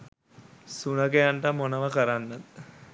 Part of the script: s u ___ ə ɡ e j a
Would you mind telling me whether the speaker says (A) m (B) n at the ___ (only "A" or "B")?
B